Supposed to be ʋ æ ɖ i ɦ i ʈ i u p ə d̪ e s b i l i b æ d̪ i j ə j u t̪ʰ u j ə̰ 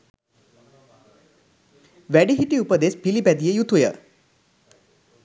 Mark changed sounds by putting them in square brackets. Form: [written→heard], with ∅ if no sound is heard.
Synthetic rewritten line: ʋ æ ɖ i ɦ i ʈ i u p ə d̪ e s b i l i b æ d̪ i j ə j u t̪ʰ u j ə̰

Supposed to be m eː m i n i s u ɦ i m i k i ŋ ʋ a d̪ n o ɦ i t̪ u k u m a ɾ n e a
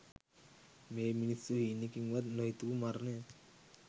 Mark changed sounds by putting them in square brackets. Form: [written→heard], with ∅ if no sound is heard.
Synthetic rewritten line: m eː m i n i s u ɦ i [m→n] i k i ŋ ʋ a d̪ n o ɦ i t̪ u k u m a ɾ n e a

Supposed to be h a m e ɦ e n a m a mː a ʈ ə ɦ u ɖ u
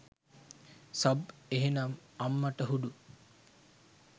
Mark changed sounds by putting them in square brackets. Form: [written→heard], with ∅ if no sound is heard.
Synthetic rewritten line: [h→s] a [m→b] e ɦ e n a m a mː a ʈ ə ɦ u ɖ u

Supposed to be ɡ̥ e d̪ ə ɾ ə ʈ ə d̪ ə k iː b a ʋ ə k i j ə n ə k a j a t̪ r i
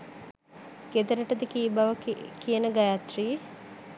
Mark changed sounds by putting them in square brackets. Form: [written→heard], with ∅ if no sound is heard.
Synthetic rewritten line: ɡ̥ e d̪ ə ɾ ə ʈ ə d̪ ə k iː b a ʋ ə k i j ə n ə [k→ɡ] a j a t̪ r i

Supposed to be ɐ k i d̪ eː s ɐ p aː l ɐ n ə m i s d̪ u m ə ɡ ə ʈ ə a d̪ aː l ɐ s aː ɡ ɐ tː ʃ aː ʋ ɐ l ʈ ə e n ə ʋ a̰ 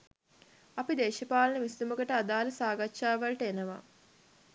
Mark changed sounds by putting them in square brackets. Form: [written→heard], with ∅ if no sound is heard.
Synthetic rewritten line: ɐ [k→p] i d̪ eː [s→ʃ] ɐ p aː l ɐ n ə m i s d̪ u m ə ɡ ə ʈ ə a d̪ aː l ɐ s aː ɡ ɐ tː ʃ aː ʋ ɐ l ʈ ə e n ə ʋ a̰

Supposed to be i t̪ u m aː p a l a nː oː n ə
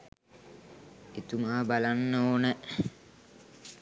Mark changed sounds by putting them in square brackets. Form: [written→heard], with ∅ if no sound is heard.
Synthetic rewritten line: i t̪ u m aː [p→b] a l a nː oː n ə

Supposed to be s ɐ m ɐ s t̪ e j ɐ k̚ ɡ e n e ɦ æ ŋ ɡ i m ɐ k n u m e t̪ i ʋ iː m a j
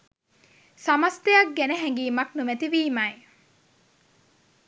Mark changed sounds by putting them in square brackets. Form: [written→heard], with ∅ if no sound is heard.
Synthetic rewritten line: s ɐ m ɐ s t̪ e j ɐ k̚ ɡ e n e ɦ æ ŋ ɡ [i→iː] m ɐ k n u m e t̪ i ʋ iː m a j

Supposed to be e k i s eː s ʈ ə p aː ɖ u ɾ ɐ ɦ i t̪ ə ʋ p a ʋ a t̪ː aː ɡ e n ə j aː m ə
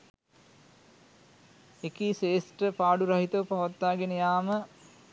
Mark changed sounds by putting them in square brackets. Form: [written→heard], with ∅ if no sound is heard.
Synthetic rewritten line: e k i s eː s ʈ ə p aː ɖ u ɾ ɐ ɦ i t̪ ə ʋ p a ʋ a t̪ː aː ɡ e n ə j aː m ə

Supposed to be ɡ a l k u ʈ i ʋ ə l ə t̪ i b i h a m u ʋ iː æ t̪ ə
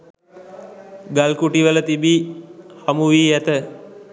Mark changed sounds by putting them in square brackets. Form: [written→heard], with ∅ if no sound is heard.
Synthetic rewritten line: ɡ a l k u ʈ i ʋ ə l ə t̪ i b i h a m u ʋ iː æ t̪ ə

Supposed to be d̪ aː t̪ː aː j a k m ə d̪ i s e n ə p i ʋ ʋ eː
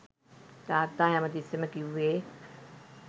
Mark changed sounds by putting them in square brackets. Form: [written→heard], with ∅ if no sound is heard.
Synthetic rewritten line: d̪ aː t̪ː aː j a [k→∅] m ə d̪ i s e [n→m] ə [p→k] i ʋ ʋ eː

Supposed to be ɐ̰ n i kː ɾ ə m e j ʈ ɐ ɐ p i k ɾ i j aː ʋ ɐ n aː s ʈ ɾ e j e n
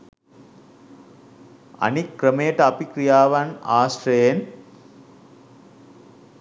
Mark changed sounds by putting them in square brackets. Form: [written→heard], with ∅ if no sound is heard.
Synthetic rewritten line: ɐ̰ n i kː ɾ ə m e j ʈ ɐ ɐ p i k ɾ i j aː ʋ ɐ n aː s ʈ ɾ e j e n

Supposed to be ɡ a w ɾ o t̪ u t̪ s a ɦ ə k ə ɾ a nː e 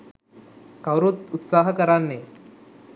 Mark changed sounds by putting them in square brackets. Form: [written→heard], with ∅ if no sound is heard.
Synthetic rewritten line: [ɡ→k] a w ɾ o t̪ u t̪ s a ɦ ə k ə ɾ a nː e

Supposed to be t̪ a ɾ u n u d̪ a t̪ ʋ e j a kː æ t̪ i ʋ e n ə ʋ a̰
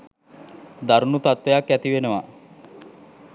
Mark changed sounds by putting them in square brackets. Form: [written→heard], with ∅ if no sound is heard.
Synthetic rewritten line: [t̪→d̪] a ɾ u n u [d̪→t̪] a t̪ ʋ e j a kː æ t̪ i ʋ e n ə ʋ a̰

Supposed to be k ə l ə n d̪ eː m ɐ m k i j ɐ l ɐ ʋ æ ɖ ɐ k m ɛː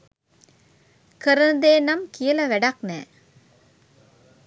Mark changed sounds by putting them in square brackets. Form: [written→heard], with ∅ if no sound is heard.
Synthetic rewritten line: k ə [l→ɾ] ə n d̪ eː [m→n] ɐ m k i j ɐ l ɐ ʋ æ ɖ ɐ k [m→n] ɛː

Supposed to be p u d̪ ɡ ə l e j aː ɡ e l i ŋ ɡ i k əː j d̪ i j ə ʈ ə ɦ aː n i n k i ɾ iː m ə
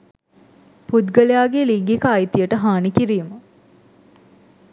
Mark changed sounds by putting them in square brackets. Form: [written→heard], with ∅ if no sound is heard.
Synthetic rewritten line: p u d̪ ɡ ə l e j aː ɡ e l i ŋ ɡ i k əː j [d̪→t̪] i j ə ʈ ə ɦ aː n i [n→∅] k i ɾ iː m ə

